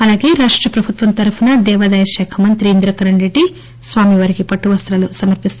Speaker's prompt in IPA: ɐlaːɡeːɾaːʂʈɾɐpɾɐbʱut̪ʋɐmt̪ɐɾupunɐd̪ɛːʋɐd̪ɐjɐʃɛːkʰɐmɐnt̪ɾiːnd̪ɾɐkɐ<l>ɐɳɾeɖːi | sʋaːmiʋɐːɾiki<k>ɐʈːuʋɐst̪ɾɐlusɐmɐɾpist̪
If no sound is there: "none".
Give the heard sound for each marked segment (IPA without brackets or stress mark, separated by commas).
ɾ, p